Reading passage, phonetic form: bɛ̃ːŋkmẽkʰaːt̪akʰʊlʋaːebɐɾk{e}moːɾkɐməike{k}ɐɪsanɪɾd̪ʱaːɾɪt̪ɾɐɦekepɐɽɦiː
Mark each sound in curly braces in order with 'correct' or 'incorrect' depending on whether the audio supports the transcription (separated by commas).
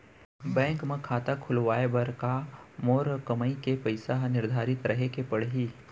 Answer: incorrect, incorrect